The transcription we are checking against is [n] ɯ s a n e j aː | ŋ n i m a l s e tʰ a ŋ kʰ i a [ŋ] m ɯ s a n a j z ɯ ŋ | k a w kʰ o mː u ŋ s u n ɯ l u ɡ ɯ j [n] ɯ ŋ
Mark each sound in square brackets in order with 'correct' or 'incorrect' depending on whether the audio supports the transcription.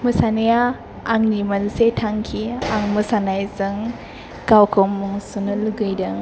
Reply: incorrect: m, correct, incorrect: d

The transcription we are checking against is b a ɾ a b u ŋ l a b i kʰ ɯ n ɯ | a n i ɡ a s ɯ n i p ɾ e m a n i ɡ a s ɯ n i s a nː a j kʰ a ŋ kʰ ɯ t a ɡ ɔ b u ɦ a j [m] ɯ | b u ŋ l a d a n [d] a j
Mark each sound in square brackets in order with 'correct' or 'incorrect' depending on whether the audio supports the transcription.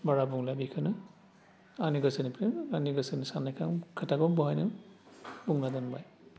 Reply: incorrect: n, incorrect: b

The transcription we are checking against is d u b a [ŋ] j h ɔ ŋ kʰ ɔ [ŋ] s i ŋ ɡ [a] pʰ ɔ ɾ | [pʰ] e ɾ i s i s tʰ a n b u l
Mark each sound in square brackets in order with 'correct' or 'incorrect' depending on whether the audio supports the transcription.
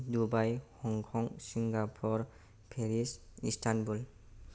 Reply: incorrect: none, correct, correct, correct

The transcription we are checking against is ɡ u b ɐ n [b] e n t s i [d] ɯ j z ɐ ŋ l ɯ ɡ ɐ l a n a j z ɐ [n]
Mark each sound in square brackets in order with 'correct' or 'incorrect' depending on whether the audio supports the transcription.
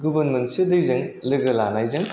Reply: incorrect: m, correct, incorrect: ŋ

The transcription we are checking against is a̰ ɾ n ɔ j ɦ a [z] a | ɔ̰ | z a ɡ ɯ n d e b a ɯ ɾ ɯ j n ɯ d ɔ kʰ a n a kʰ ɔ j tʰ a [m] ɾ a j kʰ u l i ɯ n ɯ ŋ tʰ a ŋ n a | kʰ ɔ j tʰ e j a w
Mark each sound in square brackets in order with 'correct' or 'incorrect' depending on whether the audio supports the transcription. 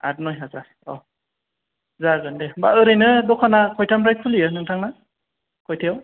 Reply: correct, correct

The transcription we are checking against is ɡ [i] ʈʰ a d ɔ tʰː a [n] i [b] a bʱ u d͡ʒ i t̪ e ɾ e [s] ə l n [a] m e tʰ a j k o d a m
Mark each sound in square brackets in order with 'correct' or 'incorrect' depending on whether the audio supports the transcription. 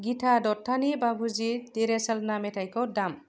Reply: correct, correct, correct, correct, correct

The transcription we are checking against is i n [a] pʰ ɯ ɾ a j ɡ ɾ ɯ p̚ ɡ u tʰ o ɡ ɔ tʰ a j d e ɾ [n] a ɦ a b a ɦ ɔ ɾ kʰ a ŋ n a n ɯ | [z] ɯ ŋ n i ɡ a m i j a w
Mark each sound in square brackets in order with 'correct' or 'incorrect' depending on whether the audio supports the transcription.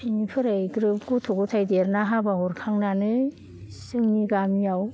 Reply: incorrect: i, correct, incorrect: s

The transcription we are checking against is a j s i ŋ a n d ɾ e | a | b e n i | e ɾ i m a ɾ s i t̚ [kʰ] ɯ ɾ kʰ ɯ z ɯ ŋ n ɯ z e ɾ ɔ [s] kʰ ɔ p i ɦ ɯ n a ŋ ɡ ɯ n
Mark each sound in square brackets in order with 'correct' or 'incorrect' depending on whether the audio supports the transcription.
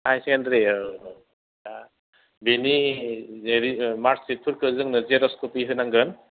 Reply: incorrect: pʰ, correct

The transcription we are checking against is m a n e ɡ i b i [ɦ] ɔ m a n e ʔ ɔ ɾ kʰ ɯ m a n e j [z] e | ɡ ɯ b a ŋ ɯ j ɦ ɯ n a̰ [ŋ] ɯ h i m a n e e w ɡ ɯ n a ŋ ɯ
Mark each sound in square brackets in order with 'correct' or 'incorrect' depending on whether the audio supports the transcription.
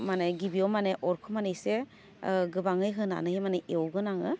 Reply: incorrect: none, incorrect: s, incorrect: n

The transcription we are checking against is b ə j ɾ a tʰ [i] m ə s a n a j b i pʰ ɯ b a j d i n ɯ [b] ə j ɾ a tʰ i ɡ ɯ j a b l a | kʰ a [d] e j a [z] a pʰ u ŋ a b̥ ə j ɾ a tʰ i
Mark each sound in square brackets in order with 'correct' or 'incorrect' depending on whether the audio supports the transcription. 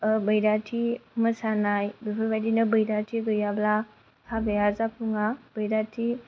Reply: correct, correct, incorrect: b, correct

